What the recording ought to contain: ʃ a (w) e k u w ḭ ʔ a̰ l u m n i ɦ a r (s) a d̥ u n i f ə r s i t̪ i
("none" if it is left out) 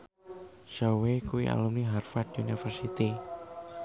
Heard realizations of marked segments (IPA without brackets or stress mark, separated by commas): w, f